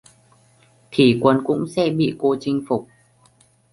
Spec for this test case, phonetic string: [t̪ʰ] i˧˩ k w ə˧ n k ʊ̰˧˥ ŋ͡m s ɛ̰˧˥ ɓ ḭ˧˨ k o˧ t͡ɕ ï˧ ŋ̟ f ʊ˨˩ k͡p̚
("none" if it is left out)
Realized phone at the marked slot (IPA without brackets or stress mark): t̪ʰ